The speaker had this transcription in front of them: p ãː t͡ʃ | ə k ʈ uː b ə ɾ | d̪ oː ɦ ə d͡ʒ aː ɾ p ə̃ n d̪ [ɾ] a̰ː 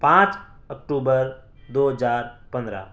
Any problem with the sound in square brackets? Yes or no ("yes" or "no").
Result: no